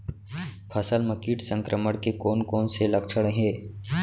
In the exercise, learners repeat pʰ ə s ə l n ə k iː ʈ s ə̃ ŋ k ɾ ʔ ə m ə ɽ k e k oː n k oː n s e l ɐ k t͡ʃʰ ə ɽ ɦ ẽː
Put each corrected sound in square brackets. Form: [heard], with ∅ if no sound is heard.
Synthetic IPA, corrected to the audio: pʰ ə s ə l [m] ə k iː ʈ s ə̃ ŋ k ɾ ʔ ə m ə ɽ k e k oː n k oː n s e l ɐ k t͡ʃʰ ə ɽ ɦ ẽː